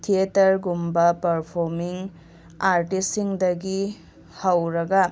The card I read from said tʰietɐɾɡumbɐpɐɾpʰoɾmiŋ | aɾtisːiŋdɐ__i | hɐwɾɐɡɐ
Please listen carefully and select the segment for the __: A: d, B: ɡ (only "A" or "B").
B